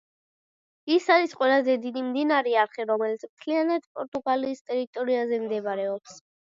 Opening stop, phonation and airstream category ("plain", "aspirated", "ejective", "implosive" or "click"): ejective